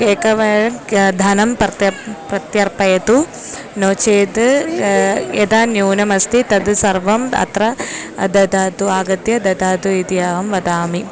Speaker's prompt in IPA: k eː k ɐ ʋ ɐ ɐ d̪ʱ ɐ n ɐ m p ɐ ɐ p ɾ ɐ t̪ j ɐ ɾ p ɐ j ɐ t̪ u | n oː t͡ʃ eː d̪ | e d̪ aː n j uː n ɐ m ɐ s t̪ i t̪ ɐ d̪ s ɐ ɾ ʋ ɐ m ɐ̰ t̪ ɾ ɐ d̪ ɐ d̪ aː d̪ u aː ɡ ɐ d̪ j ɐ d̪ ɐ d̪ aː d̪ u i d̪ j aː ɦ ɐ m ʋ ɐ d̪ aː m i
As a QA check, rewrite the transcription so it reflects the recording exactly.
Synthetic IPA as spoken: k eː k ɐ ʋ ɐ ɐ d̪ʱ ɐ n ɐ m p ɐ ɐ p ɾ ɐ t̪ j ɐ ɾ p ɐ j ɐ t̪ u | n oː t͡ʃ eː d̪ | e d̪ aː n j uː n ɐ m ɐ s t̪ i t̪ ɐ d̪ s ɐ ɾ ʋ ɐ m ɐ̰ t̪ ɾ ɐ d̪ ɐ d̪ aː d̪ u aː ɡ ɐ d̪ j ɐ d̪ ɐ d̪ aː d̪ u i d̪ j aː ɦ ɐ m ʋ ɐ d̪ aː m i